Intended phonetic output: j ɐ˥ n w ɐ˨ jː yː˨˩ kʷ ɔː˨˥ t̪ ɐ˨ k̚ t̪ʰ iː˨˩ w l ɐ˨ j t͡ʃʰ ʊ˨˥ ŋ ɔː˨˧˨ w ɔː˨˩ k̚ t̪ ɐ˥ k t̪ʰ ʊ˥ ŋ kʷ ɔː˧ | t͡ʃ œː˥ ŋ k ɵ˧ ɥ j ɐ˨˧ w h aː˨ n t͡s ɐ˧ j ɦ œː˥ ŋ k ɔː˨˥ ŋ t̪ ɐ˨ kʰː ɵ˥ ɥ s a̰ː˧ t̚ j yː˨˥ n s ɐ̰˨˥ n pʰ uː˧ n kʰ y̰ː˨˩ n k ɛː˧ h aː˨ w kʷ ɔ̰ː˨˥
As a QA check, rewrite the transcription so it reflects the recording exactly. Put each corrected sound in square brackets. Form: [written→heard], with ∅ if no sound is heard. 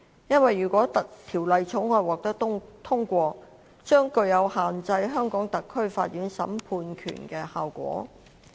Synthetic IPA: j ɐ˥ n w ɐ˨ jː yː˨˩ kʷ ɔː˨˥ t̪ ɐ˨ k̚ t̪ʰ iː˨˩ w l ɐ˨ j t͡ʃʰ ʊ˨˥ ŋ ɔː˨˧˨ w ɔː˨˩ k̚ t̪ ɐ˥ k t̪ʰ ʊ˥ ŋ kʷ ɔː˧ | t͡ʃ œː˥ ŋ k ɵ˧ ɥ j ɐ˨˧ w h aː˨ n t͡s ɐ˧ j ɦ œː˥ ŋ k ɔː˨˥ ŋ t̪ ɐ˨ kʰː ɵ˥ ɥ [s→f] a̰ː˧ t̚ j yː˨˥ n s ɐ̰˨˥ [n→m] pʰ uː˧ n kʰ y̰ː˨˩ n k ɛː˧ h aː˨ w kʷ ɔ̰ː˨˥